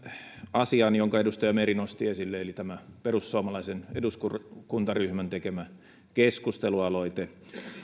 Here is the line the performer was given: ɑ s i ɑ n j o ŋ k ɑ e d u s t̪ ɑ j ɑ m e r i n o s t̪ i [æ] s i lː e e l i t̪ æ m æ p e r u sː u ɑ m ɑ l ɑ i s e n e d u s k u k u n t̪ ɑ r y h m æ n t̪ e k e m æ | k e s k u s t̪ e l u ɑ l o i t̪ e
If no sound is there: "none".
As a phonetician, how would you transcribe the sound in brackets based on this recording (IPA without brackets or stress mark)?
e